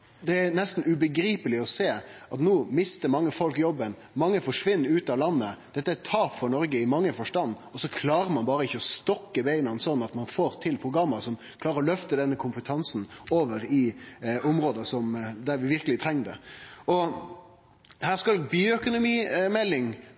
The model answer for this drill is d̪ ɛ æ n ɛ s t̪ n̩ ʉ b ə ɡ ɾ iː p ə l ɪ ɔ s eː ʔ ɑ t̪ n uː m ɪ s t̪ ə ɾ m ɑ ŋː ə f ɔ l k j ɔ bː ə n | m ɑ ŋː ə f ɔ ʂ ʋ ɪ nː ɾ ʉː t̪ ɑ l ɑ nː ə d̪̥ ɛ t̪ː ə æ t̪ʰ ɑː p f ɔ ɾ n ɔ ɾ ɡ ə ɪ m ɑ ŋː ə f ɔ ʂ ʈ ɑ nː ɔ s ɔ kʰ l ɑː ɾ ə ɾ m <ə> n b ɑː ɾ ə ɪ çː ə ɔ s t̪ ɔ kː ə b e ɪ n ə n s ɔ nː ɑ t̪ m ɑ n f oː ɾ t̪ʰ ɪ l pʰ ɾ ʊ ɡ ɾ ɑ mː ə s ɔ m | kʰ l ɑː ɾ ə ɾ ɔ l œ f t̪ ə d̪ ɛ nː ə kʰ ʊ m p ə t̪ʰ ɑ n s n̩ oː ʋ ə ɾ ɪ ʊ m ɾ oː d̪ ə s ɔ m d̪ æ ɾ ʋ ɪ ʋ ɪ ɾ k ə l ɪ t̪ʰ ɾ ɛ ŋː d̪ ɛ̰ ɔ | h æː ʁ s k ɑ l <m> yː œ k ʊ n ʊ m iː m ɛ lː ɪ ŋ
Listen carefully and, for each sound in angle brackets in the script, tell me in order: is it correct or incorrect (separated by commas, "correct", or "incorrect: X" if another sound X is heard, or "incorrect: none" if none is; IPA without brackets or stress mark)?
incorrect: ɑ, incorrect: b